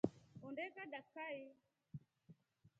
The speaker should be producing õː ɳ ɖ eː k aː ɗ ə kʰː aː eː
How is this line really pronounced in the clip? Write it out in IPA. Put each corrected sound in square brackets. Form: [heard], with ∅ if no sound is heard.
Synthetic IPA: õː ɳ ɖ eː k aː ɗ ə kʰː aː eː

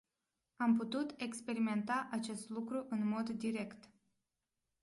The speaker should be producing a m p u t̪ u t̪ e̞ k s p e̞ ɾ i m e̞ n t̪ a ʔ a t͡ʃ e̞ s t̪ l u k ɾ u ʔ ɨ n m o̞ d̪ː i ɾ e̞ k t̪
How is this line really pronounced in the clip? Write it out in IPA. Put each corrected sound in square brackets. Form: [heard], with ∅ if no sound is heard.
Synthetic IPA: a m p u t̪ u t̪ e̞ k s p e̞ ɾ i m e̞ n t̪ a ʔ a t͡ʃ e̞ s t̪ l u k ɾ u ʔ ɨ n m o̞ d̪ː i ɾ e̞ k t̪

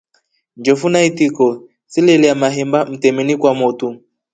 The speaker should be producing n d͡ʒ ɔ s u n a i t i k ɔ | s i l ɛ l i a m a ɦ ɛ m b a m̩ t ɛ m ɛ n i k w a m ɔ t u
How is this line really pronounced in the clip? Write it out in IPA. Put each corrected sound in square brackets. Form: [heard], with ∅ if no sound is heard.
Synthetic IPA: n d͡ʒ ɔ [f] u n a i t i k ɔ | s i l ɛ l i a m a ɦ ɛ m b a m̩ t ɛ m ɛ n i k w a m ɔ t u

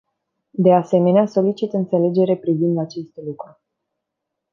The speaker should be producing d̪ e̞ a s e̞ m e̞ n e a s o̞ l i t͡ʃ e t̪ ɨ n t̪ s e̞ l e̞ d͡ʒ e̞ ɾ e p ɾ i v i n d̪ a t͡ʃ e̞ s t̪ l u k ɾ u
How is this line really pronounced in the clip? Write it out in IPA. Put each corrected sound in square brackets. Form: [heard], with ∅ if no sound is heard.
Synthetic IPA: d̪ e̞ a s e̞ m e̞ n e a s o̞ l i t͡ʃ [i] t̪ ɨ n t̪ s e̞ l e̞ d͡ʒ e̞ ɾ e p ɾ i v i n d̪ a t͡ʃ e̞ s t̪ l u k ɾ u

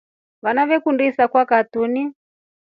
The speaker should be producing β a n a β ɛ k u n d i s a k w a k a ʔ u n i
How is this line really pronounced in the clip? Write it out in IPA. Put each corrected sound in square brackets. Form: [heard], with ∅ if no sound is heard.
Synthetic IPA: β a n a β ɛ k u n d i s a k w a k a [t] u n i

